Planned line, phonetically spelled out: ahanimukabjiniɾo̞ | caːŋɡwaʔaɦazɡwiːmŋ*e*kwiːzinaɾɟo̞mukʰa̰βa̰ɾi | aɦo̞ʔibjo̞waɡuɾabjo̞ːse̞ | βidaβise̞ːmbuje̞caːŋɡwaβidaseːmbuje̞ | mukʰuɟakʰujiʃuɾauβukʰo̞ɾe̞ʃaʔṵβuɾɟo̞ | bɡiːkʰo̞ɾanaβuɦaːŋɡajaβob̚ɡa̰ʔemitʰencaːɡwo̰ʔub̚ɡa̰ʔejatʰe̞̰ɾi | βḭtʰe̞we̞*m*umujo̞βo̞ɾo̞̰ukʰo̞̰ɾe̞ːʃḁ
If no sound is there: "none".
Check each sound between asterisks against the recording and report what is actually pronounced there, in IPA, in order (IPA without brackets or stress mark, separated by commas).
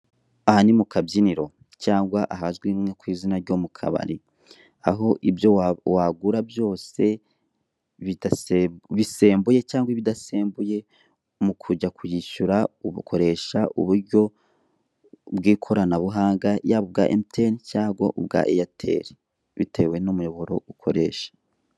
e, n